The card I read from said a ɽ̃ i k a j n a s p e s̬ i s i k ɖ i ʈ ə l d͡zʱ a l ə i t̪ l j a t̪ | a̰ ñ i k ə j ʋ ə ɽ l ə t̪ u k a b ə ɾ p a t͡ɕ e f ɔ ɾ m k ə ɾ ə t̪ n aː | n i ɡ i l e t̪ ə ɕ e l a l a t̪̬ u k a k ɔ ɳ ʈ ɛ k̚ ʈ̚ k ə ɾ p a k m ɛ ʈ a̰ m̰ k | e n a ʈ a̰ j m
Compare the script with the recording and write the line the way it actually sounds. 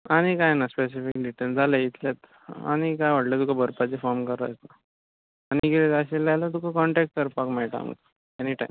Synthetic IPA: a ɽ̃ i k a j n a s p e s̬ i f i k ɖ i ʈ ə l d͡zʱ a l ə i t̪ l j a t̪ | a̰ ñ i k a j ʋ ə ɽ l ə t̪ u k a b ə ɾ p a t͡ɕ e f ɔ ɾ m k ə ɾ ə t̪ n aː | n i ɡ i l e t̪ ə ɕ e l a l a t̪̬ u k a k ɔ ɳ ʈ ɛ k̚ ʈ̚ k ə ɾ p a k m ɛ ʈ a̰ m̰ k | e n i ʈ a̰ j m